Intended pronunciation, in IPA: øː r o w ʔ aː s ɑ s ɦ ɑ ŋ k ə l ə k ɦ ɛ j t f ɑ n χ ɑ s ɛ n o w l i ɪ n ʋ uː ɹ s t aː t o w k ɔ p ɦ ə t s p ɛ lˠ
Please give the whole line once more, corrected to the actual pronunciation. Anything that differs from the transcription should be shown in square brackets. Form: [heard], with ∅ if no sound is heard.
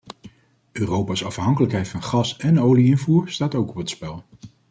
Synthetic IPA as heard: øː r o w [p] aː s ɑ [f] ɦ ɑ ŋ k ə l ə k ɦ ɛ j t f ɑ n χ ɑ s ɛ n o w l i ɪ n [v] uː ɹ s t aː t o w k ɔ p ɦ ə t s p ɛ lˠ